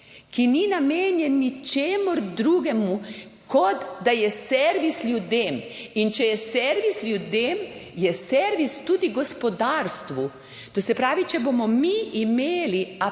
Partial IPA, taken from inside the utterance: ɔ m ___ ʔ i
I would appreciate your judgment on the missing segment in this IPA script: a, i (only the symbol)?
i